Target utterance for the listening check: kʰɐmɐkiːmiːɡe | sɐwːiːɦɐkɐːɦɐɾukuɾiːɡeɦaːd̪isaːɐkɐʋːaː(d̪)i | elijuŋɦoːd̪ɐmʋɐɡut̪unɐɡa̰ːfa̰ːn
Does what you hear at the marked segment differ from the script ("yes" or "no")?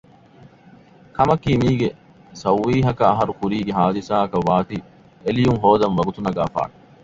yes